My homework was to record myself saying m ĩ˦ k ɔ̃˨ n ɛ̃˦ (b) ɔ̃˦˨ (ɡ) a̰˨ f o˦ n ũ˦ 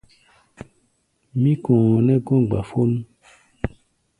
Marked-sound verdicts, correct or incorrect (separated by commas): incorrect, incorrect